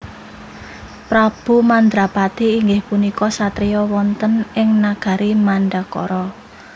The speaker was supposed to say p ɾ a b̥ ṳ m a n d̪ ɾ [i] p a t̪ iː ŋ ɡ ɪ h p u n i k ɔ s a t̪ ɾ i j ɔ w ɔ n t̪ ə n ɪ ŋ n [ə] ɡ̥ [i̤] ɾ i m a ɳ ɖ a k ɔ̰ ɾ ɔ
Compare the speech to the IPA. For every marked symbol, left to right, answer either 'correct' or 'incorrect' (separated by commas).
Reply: incorrect, incorrect, incorrect